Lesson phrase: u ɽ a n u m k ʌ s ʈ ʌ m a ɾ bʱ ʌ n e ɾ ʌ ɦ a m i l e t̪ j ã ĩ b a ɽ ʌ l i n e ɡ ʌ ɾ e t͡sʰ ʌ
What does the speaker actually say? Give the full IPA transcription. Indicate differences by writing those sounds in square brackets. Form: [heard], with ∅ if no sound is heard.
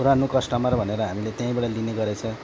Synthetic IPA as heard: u [ɾ] a n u [∅] k ʌ s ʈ ʌ m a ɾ bʱ ʌ n e ɾ ʌ ɦ a m i l e t̪ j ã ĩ b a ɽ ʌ l i n e ɡ ʌ ɾ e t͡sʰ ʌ